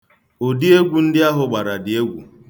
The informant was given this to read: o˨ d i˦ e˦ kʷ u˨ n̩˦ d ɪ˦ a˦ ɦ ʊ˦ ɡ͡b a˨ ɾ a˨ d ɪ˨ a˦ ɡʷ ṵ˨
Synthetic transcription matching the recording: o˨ d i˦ e˦ ɡʷ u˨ n̩˦ d ɪ˦ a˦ ɦ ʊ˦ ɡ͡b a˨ ɾ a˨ d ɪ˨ e˦ ɡʷ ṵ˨